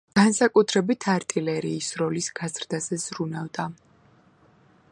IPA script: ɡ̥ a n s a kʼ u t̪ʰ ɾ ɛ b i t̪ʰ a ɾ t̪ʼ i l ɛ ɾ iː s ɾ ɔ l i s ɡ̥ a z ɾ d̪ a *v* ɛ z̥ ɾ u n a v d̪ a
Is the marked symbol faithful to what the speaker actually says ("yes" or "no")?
no